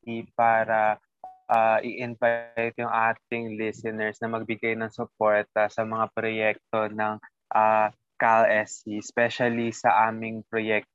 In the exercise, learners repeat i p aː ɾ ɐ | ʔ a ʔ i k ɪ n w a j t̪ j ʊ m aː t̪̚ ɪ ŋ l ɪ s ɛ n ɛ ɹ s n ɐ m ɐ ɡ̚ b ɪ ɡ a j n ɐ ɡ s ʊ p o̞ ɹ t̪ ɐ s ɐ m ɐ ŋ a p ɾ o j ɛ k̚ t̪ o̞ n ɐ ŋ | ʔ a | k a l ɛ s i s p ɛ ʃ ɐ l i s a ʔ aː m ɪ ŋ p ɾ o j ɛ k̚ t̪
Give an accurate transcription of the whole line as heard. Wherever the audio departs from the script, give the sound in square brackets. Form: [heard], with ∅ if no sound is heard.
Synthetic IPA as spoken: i p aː ɾ ɐ | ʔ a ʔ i [ʔ] ɪ n [v] a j t̪ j ʊ [ŋ] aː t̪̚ ɪ ŋ l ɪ s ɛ n ɛ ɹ s n ɐ m ɐ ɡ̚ b ɪ ɡ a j n ɐ [ŋ] s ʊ p o̞ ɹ t̪ ɐ s ɐ m ɐ ŋ a p ɾ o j ɛ k̚ t̪ o̞ n ɐ ŋ | ʔ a | k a l ɛ s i s p ɛ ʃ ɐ l i s [ɐ] ʔ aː m ɪ ŋ p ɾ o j ɛ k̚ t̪